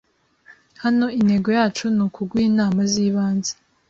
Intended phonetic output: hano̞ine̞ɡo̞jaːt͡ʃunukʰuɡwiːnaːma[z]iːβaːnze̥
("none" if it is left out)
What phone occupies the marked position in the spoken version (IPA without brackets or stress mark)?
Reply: z